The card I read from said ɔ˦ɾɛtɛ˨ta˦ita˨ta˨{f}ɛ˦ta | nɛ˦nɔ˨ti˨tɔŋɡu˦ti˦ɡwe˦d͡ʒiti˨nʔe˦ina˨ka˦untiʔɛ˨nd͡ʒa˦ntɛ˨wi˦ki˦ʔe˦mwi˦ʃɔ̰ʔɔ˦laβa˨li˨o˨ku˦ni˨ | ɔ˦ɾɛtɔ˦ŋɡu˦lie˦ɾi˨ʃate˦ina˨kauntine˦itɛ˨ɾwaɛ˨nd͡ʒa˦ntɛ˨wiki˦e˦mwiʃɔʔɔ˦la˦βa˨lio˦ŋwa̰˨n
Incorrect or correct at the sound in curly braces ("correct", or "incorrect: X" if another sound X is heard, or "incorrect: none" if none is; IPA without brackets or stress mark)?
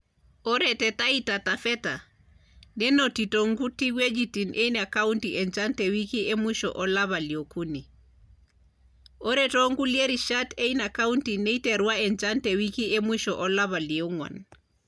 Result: correct